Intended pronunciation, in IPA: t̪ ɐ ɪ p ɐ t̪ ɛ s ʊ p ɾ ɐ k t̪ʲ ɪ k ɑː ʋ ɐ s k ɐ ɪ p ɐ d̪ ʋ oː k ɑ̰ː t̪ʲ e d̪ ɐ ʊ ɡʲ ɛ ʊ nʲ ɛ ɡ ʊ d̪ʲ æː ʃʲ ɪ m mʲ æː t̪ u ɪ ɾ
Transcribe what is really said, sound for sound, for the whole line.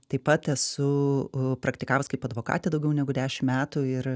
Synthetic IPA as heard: t̪ ɐ ɪ p ɐ t̪ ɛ s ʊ p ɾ ɐ k t̪ʲ ɪ k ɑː ʋ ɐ s k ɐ ɪ p ɐ d̪ ʋ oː k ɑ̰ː t̪ʲ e d̪ ɐ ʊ ɡʲ ɛ ʊ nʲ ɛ ɡ ʊ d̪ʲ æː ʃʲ ɪ m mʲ æː t̪ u ɪ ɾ